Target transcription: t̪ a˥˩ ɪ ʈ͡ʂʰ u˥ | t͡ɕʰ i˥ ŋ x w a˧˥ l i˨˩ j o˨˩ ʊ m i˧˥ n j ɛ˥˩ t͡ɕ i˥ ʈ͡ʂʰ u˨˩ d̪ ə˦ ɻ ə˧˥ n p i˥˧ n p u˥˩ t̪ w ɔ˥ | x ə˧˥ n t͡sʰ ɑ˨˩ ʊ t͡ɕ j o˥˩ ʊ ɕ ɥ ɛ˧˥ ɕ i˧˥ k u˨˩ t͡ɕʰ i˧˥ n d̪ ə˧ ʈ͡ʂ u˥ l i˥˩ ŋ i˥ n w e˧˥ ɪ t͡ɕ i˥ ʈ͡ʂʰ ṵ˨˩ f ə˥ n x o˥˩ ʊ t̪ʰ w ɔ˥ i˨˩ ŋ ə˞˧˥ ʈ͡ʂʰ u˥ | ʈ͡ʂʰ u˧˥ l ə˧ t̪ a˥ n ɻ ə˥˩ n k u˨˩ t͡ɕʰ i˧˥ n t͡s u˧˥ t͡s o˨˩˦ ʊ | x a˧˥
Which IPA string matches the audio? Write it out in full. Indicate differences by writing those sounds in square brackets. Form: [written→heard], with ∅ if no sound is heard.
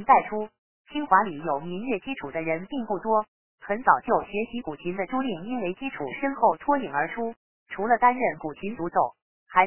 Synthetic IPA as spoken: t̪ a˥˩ ɪ ʈ͡ʂʰ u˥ | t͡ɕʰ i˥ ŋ x w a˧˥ l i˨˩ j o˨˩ ʊ m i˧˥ n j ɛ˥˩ t͡ɕ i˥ ʈ͡ʂʰ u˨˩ d̪ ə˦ ɻ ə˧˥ n p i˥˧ [n→ŋ] p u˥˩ t̪ w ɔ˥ | x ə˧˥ n [t͡sʰ→t͡s] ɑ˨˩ ʊ t͡ɕ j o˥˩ ʊ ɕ ɥ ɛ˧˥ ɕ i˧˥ k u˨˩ t͡ɕʰ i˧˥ n d̪ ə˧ ʈ͡ʂ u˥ l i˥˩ ŋ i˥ n w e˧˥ ɪ t͡ɕ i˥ ʈ͡ʂʰ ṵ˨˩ [f→ʂ] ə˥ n x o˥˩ ʊ t̪ʰ w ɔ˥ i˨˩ ŋ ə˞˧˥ ʈ͡ʂʰ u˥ | ʈ͡ʂʰ u˧˥ l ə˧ t̪ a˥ n ɻ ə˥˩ n k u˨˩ t͡ɕʰ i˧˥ n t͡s u˧˥ t͡s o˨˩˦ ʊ | x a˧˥